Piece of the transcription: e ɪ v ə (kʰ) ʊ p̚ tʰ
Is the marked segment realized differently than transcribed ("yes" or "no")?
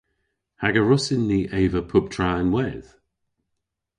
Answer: yes